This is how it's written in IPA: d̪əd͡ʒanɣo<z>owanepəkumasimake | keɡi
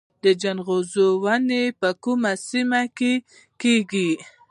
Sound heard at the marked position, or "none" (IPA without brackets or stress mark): z